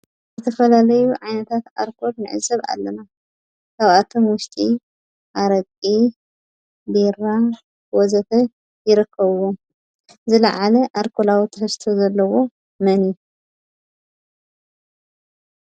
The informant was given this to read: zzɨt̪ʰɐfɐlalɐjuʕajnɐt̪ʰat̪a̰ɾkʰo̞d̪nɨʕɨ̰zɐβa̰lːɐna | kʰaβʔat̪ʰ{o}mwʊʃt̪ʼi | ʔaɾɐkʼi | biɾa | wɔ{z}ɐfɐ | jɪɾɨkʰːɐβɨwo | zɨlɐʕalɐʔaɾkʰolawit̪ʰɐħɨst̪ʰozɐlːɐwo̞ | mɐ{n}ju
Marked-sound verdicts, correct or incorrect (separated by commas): correct, correct, correct